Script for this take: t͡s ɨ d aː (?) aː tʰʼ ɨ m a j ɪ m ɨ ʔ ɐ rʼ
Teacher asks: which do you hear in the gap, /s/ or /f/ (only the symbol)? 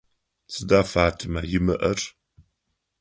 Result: f